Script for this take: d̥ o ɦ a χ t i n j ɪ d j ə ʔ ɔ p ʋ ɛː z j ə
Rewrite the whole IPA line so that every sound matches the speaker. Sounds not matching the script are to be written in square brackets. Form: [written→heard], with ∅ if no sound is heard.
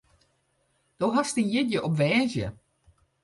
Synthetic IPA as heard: d̥ o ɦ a [χ→s] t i n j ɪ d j ə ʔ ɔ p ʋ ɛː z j ə